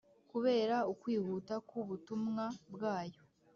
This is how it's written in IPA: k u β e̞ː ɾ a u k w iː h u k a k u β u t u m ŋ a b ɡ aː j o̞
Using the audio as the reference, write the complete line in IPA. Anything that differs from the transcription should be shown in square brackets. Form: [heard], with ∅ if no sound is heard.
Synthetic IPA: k u β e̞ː ɾ a u k w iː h u [t] a k u β u t u m ŋ a b ɡ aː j o̞

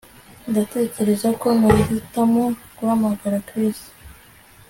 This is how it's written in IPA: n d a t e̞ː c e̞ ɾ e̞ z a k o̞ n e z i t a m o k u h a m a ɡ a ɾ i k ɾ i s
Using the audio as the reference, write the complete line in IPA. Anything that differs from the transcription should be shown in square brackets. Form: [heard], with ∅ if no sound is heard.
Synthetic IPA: n d a t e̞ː c e̞ ɾ e̞ z a k o̞ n [a] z i t a m o k u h a m a ɡ a ɾ [a] k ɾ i s

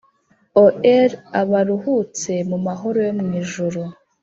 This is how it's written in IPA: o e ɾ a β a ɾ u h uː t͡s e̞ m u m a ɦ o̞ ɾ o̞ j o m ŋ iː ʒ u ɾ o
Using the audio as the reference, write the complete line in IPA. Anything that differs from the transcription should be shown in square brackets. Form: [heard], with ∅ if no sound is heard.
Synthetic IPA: o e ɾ a β a ɾ u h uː t͡s e̞ m u m a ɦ o̞ ɾ o̞ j o m ŋ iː ʒ u ɾ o

